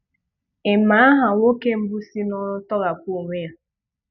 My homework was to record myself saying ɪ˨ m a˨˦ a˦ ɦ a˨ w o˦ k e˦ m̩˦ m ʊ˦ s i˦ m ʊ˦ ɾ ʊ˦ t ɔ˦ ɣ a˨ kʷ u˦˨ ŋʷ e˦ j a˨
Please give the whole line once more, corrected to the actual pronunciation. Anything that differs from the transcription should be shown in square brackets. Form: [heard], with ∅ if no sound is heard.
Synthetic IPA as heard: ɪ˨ m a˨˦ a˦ ɦ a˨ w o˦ k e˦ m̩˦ [b] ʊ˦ s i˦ [n] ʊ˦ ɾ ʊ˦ t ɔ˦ ɣ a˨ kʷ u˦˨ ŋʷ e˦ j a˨